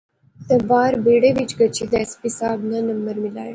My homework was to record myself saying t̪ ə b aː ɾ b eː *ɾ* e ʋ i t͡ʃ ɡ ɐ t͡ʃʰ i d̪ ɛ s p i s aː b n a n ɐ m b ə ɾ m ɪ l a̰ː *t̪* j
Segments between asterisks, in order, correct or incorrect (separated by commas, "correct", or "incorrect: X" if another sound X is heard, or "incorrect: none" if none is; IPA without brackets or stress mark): incorrect: ɽ, incorrect: none